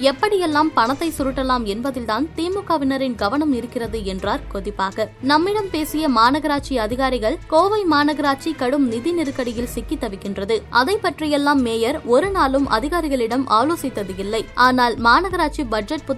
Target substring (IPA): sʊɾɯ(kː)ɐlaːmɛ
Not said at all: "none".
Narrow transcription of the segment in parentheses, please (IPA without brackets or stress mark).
ʈː